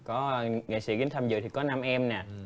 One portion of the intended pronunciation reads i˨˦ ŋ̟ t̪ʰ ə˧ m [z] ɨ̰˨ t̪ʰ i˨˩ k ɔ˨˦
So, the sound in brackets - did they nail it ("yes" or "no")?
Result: yes